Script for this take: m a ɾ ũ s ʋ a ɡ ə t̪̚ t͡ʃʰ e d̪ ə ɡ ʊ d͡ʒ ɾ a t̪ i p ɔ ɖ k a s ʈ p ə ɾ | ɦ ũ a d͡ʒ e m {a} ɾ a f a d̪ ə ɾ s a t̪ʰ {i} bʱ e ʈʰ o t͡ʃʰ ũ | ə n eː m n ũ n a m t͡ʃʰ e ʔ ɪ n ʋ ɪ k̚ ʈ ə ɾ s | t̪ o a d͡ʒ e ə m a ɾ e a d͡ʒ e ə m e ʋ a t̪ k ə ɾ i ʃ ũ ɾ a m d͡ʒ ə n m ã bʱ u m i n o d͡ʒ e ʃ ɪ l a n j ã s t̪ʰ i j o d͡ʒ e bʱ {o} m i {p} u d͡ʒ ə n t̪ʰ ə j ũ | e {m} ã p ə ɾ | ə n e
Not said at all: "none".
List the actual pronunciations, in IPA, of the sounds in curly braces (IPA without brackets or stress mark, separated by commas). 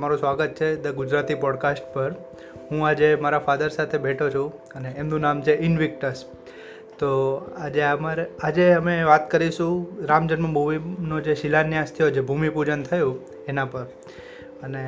a, e, u, p, n